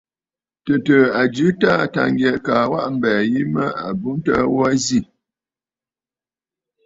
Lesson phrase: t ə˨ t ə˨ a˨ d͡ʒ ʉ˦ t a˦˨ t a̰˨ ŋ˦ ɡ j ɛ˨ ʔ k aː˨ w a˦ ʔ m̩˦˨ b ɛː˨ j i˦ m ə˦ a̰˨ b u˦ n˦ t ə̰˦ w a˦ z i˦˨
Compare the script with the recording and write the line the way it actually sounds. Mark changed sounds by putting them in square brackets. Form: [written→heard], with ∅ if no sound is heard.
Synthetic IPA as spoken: t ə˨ t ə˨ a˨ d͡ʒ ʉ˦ t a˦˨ t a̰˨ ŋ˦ ɡ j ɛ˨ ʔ k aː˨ w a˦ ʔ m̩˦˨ b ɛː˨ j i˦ m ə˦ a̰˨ b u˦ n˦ t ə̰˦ w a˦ z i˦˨